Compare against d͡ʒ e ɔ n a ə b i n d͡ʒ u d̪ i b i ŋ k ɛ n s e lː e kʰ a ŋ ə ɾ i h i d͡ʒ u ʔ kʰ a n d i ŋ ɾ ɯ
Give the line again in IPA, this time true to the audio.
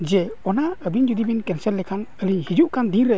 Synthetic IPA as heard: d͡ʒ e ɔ n a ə b i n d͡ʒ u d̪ i b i n k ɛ n s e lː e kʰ a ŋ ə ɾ i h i d͡ʒ u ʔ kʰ a n d i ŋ ɾ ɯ